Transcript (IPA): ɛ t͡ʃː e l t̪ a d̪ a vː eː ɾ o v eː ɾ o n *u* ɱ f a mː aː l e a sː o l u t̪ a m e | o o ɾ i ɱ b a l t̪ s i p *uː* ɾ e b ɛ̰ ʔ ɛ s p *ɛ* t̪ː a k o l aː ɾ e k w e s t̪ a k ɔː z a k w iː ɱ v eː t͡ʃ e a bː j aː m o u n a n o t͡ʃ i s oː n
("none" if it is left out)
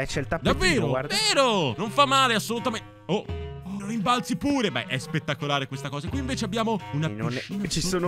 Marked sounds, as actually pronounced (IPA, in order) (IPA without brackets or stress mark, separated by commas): o, uː, e